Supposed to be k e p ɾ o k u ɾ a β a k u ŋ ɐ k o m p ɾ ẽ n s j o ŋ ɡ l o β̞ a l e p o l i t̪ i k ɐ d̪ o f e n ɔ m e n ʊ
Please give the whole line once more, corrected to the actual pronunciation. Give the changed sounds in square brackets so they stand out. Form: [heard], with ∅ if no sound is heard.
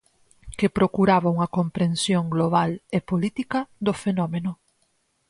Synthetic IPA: k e p ɾ o k u ɾ a β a [∅] u ŋ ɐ k o m p ɾ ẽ n s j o ŋ ɡ l o β̞ a l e p o l i t̪ i k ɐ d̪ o f e n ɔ m e n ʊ